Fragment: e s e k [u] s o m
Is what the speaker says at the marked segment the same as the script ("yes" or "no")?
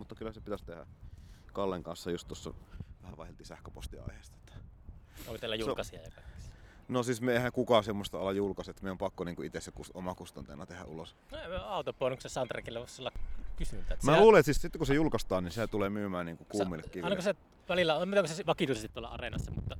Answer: yes